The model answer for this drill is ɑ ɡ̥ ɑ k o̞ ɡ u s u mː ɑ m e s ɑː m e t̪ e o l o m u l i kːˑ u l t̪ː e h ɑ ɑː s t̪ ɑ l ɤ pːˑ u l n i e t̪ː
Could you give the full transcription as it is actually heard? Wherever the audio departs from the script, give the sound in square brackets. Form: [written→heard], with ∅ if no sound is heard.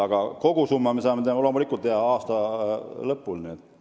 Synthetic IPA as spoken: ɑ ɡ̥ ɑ k o̞ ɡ u s u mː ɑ m e s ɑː m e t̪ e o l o m u l i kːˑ u l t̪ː e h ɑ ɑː s t̪ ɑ l ɤ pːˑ u l n i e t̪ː